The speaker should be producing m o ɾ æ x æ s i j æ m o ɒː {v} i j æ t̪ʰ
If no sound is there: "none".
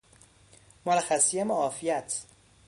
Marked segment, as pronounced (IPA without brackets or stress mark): f